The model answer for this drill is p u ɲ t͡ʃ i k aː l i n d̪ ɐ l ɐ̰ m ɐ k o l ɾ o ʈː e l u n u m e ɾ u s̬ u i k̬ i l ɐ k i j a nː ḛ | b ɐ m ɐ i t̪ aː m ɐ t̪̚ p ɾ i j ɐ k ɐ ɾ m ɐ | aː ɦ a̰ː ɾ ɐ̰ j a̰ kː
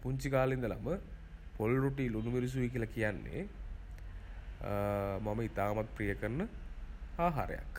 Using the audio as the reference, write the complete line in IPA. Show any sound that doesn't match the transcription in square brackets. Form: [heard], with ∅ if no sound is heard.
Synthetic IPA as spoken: p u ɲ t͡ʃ i k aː l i n d̪ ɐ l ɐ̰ m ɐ [p] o l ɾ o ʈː [i] l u n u m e ɾ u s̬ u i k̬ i l ɐ k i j a nː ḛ | [m] ɐ m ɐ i t̪ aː m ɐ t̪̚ p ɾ i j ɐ k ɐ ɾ [n] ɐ | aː ɦ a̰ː ɾ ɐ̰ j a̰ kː